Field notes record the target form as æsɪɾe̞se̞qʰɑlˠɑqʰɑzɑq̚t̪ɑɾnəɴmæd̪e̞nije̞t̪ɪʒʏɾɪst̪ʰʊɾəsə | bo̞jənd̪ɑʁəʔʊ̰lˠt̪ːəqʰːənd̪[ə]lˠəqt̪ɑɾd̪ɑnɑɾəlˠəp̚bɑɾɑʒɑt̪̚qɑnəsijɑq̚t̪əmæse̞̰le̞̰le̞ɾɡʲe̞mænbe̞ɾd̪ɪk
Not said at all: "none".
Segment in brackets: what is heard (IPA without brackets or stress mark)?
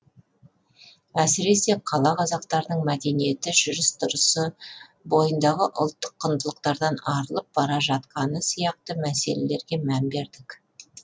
ə